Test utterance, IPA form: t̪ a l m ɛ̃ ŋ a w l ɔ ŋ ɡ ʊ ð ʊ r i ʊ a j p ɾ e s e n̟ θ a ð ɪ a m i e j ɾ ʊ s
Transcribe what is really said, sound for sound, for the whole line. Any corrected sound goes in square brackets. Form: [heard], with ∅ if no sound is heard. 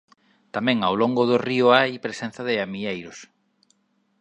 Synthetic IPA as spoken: t̪ a [∅] m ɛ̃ ŋ a w l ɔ ŋ ɡ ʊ ð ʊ r i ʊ a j p ɾ e s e n̟ θ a ð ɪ a m i e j ɾ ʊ s